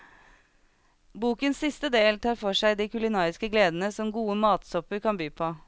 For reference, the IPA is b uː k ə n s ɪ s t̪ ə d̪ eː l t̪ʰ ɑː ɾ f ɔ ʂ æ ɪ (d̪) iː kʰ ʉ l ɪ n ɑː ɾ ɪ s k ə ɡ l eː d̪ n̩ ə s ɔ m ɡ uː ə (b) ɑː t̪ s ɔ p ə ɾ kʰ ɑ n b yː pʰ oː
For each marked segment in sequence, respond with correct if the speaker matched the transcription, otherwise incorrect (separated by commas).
correct, incorrect